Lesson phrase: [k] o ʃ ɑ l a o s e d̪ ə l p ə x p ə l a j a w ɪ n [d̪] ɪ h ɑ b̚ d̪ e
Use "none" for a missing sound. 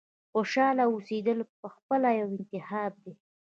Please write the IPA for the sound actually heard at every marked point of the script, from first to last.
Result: x, t̪

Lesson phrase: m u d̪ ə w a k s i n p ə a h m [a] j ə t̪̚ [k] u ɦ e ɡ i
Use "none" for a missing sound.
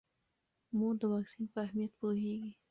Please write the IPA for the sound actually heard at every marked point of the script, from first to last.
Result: i, p

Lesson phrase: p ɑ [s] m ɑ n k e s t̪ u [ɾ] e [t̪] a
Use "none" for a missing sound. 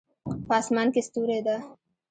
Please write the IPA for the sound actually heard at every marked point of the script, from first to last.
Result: s, ɾ, d̪

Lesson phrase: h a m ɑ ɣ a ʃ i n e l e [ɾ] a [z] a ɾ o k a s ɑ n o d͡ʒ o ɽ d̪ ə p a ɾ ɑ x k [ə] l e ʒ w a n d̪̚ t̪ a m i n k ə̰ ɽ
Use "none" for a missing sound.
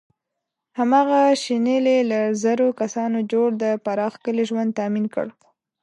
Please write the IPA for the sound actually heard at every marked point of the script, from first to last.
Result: l, z, ə

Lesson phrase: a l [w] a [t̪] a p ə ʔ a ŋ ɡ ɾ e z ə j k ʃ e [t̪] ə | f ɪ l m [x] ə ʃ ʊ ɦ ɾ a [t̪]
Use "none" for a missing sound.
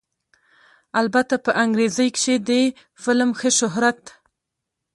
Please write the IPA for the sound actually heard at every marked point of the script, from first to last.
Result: b, t̪, d̪, x, t̪

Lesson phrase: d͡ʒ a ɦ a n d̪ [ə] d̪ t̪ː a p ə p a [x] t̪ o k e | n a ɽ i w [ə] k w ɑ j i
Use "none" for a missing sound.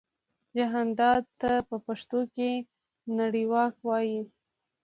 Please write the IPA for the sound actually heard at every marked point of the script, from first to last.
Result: ɑ, ʂ, ɑ

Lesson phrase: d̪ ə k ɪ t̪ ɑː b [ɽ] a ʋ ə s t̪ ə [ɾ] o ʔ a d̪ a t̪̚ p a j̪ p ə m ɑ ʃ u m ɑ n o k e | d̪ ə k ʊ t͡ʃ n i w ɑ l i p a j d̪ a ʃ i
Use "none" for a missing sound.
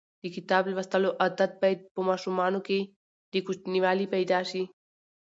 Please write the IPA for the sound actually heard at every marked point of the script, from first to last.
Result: l, l

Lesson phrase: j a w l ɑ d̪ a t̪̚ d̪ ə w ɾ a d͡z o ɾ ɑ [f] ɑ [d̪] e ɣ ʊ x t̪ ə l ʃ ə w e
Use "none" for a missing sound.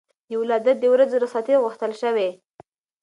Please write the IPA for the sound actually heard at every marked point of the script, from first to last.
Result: s, t̪

